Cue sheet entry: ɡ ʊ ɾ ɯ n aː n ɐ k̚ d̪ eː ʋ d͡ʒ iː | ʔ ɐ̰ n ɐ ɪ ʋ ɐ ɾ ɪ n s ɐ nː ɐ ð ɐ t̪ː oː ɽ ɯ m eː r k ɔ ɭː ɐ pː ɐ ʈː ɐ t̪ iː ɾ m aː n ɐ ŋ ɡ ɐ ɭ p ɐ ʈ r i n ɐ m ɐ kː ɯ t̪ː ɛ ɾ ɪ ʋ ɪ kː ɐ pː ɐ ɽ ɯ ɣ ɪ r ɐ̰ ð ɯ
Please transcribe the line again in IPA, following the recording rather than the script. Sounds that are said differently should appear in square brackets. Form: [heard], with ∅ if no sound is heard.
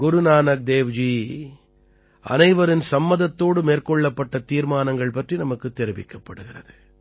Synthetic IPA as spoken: ɡ ʊ ɾ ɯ n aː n ɐ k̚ d̪ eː ʋ d͡ʒ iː | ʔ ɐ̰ n ɐ ɪ ʋ ɐ ɾ ɪ n s ɐ [mː] ɐ ð ɐ t̪ː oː ɽ ɯ m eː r k ɔ ɭː ɐ pː ɐ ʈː ɐ t̪ iː ɾ m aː n ɐ ŋ ɡ ɐ ɭ p ɐ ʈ r i n ɐ m ɐ kː ɯ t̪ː ɛ ɾ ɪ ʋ ɪ kː ɐ pː ɐ ɽ ɯ ɣ ɪ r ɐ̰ ð ɯ